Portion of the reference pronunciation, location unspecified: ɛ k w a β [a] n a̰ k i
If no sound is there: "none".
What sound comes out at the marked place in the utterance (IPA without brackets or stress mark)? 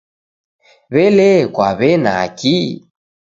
ɛ